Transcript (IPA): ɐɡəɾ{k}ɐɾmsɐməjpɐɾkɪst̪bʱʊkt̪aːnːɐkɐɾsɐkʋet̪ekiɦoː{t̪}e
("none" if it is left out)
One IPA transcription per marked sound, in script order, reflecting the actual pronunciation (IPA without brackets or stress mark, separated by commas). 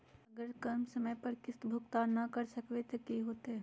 k, t̪